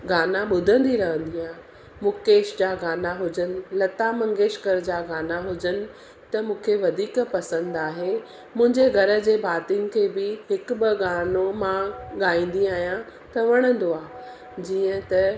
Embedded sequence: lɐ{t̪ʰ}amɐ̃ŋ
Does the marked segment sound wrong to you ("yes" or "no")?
yes